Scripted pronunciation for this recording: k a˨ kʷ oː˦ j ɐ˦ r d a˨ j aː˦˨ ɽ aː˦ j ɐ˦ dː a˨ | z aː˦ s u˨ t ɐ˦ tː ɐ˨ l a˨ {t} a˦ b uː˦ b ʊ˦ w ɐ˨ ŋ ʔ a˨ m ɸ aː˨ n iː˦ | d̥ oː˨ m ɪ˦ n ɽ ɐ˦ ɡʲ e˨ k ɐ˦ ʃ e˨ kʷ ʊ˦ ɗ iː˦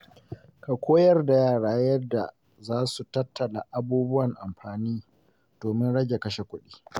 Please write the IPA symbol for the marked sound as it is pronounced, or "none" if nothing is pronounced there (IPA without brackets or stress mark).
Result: ʔ